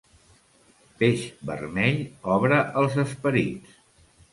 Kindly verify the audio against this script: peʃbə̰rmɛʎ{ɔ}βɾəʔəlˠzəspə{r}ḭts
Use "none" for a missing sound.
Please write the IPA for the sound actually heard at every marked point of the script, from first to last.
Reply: ɔ, ɾ

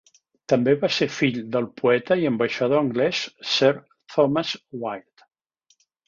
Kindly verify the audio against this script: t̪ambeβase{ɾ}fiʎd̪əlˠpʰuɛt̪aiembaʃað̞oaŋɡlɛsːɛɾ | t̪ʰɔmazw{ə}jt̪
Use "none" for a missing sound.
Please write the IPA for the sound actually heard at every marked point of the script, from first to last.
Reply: ɾ, a

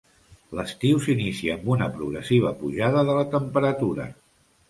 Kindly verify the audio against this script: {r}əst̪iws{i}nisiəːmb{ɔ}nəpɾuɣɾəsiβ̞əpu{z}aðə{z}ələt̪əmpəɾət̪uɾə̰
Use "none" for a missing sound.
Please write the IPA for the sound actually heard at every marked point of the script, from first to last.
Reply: l, i, u, ʒ, ð

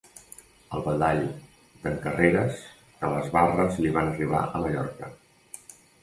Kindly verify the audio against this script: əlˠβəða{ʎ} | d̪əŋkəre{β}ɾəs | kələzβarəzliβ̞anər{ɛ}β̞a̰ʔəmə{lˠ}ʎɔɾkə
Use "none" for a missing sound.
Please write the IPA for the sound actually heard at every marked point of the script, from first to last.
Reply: ʎ, none, i, none

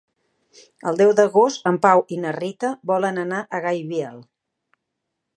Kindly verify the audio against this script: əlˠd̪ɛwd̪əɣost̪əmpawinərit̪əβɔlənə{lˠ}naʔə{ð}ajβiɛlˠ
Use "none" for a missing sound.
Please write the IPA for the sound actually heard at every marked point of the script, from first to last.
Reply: none, ɣ

